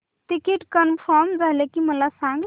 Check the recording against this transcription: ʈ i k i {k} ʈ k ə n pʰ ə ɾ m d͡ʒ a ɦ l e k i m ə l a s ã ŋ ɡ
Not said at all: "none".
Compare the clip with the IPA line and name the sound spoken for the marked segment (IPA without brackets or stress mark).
none